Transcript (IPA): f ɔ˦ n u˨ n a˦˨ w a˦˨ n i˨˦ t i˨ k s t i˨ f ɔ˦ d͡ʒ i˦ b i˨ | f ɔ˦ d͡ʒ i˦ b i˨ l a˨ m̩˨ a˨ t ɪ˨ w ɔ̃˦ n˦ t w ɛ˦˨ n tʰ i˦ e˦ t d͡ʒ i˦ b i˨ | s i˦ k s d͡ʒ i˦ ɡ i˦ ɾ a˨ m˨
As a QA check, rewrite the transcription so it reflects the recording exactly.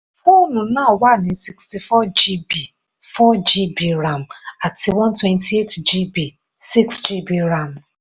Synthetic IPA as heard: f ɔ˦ n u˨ n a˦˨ w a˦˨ n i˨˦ s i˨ k s t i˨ f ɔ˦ d͡ʒ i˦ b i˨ | f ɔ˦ d͡ʒ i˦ b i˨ ɾ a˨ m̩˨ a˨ t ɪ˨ w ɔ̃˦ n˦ t w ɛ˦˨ n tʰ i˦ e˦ t d͡ʒ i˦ b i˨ | s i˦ k s d͡ʒ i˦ b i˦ ɾ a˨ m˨